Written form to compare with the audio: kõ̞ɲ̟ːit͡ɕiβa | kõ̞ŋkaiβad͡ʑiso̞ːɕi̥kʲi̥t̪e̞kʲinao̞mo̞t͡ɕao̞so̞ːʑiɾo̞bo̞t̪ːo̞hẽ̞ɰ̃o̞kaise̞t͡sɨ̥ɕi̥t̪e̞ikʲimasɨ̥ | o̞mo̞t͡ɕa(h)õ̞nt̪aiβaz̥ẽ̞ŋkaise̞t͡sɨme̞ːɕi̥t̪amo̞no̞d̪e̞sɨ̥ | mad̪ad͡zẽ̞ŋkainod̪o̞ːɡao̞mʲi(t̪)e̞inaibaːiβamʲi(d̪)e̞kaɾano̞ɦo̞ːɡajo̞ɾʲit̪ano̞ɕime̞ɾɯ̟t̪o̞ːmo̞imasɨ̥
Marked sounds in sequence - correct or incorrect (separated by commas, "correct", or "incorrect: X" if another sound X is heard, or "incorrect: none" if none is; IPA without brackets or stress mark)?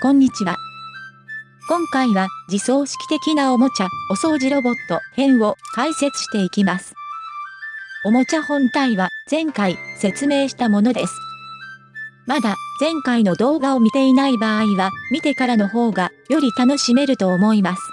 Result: correct, correct, incorrect: t̪